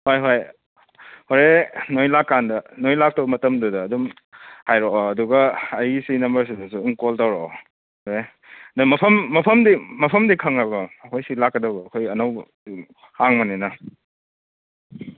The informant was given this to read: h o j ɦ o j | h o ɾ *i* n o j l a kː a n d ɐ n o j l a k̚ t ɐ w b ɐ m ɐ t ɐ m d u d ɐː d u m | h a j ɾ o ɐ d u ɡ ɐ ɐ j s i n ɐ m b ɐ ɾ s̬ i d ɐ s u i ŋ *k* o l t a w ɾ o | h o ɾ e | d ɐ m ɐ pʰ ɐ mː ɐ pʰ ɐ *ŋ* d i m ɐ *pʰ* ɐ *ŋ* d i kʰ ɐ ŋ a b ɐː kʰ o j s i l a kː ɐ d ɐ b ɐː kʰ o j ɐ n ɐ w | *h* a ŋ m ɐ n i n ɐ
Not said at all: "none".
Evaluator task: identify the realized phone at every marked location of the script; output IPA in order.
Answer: e, k, m, pʰ, m, h

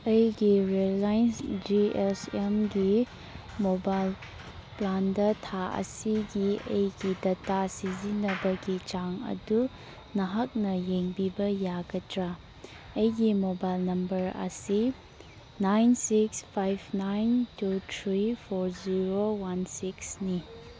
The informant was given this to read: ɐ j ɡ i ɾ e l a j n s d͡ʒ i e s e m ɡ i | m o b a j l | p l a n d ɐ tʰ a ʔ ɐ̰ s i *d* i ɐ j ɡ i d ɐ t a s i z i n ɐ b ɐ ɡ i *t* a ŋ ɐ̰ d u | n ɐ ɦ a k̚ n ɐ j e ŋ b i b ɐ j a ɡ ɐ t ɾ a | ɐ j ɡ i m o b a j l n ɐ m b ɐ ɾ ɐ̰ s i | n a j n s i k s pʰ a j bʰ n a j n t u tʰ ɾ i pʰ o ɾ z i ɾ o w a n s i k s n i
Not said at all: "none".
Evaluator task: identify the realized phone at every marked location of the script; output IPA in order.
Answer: ɡ, t͡ʃ

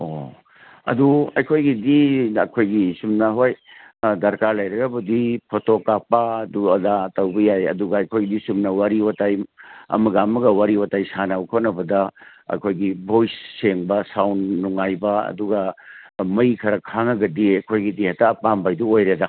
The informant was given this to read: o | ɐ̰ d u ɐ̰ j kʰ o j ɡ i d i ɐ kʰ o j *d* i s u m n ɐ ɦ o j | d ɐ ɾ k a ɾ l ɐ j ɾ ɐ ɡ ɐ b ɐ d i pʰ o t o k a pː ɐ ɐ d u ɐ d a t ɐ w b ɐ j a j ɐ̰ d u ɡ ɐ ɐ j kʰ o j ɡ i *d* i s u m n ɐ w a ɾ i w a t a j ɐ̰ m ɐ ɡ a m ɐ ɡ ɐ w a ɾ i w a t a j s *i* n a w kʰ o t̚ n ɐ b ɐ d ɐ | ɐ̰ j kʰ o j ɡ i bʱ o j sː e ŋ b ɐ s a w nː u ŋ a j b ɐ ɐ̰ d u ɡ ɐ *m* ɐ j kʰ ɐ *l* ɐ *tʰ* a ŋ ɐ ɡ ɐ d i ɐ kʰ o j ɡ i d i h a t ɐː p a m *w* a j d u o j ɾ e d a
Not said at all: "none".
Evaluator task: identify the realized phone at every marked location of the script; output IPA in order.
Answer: ɡ, d, a, m, ɾ, kʰ, b

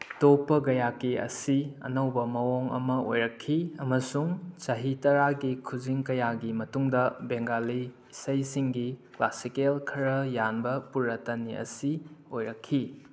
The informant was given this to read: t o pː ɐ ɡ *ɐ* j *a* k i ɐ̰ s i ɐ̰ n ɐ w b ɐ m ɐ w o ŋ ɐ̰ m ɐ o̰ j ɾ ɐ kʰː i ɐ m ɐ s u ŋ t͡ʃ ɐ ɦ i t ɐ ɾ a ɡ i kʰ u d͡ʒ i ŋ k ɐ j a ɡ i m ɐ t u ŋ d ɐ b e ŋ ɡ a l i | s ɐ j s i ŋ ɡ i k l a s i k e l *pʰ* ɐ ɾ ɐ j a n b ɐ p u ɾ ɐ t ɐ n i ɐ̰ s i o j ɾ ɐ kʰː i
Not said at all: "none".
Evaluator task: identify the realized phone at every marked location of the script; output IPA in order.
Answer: ɐ, a, kʰ

